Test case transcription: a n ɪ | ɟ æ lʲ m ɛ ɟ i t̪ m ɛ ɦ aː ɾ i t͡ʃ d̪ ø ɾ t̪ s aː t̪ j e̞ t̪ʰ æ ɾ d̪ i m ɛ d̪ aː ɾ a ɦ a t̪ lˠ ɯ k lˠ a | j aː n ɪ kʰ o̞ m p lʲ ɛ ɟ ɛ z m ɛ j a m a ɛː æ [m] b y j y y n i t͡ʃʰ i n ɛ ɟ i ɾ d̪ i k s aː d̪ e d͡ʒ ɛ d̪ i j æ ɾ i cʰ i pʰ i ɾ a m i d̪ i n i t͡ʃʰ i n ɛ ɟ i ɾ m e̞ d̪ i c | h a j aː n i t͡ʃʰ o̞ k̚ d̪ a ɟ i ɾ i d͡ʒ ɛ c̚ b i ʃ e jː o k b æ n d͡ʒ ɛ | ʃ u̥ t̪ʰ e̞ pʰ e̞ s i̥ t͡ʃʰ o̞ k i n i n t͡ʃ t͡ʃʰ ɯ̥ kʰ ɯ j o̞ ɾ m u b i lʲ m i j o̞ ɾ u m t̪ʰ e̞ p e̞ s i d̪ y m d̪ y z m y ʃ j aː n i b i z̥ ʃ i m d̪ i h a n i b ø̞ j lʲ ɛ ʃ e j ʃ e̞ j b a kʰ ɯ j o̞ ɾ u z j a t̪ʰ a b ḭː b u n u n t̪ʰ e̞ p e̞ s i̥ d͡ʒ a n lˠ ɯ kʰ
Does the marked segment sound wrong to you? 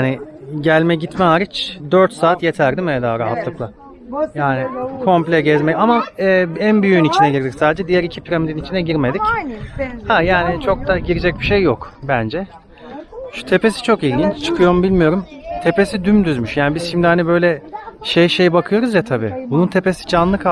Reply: yes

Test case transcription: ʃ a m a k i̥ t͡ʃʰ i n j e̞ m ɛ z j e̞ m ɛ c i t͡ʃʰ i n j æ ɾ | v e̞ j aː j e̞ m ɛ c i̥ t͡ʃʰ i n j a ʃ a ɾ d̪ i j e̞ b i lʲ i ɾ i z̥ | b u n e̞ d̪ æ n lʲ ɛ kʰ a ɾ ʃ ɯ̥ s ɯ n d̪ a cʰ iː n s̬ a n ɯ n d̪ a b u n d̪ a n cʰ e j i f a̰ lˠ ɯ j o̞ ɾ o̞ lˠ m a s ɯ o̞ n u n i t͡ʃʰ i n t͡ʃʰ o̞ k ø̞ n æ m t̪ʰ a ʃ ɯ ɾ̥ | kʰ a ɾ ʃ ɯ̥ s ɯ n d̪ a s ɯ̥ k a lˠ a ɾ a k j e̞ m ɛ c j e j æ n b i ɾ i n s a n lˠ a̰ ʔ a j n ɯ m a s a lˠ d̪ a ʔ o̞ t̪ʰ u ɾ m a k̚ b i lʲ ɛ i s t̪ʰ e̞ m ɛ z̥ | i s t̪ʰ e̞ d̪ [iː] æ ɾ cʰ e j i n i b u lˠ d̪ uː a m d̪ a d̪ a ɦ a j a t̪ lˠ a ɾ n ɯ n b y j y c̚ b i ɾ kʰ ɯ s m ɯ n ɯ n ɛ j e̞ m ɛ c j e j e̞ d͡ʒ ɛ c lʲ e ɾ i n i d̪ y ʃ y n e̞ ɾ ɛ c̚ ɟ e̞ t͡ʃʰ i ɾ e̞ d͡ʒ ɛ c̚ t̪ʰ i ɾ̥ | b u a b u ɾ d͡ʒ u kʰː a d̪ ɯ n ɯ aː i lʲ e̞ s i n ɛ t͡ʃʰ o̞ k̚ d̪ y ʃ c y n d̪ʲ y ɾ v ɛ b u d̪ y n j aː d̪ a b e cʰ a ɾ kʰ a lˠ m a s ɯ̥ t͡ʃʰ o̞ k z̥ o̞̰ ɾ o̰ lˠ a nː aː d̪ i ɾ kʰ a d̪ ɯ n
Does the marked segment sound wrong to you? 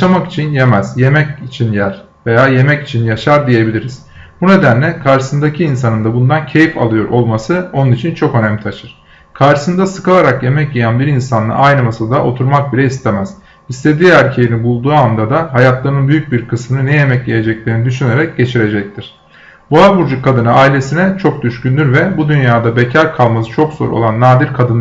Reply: no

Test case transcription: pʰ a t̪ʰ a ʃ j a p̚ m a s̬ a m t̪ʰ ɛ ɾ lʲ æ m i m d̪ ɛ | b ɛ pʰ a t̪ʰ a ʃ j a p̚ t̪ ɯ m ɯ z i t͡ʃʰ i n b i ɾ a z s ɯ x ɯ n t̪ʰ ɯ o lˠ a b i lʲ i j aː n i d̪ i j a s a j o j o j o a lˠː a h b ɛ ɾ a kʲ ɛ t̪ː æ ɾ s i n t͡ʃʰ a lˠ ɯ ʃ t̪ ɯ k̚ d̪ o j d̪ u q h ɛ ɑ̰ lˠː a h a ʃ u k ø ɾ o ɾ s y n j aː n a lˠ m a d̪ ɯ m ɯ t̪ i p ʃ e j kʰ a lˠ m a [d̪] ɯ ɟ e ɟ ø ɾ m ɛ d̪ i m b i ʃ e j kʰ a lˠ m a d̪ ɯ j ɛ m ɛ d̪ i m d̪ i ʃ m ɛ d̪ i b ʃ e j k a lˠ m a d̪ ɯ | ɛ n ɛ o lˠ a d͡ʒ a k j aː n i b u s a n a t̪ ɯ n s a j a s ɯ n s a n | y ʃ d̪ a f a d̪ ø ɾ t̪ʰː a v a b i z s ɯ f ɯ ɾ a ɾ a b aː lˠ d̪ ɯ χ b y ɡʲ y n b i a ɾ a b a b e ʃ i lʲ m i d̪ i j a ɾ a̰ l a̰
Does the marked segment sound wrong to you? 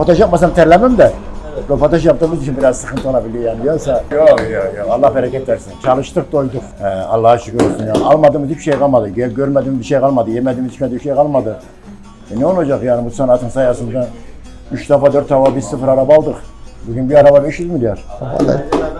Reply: no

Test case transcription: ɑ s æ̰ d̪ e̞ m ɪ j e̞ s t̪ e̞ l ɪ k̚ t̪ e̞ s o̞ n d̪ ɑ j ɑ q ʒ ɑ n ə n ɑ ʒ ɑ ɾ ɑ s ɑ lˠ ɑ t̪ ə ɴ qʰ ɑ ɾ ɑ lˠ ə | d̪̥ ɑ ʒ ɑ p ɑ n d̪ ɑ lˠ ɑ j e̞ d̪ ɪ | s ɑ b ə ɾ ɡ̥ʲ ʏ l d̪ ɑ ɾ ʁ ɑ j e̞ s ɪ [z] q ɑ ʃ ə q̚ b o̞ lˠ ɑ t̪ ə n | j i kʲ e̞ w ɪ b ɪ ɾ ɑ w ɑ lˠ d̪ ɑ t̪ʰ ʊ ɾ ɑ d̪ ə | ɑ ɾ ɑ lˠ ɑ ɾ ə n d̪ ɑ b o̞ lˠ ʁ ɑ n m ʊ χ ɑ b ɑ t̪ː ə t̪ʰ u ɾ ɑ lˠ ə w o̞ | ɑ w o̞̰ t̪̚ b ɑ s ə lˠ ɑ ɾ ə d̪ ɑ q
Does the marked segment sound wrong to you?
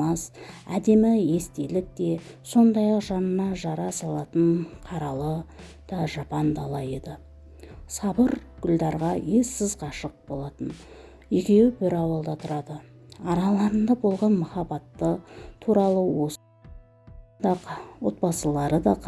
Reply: no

